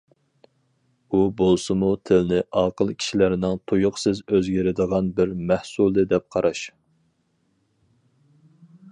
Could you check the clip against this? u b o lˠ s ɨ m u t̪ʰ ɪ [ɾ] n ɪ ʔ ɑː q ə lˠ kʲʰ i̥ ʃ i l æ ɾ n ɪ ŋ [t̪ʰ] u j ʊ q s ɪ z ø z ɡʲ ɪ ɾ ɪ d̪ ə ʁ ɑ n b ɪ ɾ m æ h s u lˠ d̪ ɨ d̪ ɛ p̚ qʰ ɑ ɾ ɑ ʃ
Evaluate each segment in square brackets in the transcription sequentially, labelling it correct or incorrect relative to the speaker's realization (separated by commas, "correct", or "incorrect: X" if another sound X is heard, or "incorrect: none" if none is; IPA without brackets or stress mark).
incorrect: l, correct